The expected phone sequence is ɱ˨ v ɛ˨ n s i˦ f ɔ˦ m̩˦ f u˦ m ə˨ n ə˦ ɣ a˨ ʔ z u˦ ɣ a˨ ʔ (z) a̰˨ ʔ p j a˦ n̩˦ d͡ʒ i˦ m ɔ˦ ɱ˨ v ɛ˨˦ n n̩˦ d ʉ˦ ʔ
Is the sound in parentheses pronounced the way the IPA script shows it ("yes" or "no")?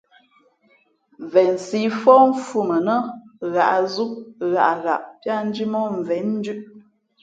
no